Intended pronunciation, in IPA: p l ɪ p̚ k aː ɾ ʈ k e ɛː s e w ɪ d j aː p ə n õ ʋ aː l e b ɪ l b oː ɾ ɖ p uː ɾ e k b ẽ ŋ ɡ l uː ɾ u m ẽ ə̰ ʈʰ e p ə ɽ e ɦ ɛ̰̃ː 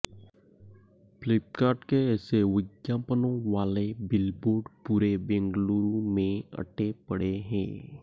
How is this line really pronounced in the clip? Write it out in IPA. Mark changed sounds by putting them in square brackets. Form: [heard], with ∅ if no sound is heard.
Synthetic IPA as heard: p l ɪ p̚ k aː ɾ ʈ k e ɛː s e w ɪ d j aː p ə n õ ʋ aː l e b ɪ l b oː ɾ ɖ p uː ɾ e [∅] b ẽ ŋ ɡ l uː ɾ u m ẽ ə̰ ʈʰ e p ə ɽ e ɦ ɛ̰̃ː